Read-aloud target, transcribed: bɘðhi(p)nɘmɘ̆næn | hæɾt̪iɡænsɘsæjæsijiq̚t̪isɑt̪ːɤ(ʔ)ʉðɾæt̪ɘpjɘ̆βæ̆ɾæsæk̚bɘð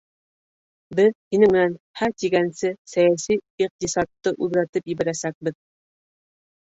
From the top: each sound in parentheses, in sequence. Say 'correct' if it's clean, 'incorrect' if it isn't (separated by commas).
incorrect, correct